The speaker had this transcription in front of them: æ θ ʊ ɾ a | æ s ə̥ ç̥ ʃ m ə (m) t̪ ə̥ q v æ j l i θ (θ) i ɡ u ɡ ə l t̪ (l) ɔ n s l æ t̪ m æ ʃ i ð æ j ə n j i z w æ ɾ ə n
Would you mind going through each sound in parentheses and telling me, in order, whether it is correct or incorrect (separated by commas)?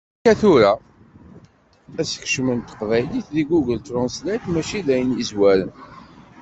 incorrect, incorrect, incorrect